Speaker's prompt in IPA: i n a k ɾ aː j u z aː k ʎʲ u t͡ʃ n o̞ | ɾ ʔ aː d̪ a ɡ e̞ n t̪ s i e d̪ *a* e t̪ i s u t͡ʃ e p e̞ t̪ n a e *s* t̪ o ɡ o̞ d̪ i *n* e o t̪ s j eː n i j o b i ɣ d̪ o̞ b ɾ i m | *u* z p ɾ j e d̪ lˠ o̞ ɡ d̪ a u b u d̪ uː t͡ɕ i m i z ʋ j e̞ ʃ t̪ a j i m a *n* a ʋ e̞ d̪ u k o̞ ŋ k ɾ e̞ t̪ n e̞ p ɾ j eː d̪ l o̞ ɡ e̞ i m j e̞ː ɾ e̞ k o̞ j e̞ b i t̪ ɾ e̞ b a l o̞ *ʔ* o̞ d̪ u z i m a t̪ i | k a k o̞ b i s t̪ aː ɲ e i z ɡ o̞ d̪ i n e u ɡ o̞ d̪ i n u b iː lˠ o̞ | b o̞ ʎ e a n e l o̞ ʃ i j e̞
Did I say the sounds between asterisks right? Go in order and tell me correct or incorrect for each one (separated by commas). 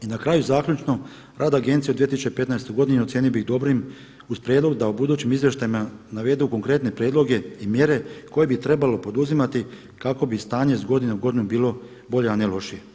incorrect, correct, correct, correct, correct, incorrect